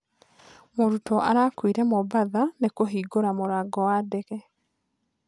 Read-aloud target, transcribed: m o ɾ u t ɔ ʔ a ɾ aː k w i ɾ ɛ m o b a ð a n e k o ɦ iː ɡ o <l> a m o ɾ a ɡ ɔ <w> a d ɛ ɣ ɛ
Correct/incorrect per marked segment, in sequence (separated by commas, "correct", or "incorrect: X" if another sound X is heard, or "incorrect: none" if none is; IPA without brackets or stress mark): incorrect: ɾ, correct